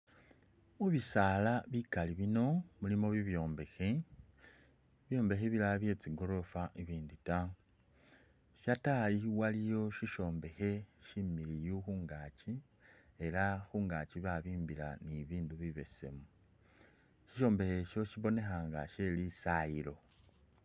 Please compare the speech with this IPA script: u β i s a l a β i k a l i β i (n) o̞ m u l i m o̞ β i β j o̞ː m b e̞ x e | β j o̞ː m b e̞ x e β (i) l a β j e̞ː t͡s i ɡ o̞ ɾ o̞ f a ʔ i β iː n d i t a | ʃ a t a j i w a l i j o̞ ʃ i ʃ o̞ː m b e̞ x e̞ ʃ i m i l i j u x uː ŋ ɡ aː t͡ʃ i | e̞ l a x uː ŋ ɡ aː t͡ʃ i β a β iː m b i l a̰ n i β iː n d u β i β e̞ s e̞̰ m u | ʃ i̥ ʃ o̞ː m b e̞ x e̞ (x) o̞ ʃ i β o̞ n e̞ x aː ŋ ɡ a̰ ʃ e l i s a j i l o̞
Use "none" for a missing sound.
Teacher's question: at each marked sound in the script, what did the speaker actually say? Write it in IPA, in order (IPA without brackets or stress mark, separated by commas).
n, i, ʃ